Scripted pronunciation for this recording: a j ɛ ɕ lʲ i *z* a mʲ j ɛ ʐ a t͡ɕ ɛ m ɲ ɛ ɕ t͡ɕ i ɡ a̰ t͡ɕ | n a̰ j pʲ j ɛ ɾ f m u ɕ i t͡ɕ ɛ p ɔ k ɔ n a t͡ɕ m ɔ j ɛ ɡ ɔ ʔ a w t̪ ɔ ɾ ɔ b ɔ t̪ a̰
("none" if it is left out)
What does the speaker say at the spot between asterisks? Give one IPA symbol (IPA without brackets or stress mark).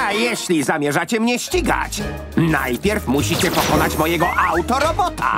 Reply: z